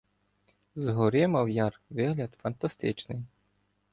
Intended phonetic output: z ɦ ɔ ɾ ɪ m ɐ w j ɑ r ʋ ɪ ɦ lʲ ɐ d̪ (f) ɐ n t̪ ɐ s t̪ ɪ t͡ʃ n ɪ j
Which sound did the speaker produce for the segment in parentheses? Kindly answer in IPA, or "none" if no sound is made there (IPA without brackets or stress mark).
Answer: f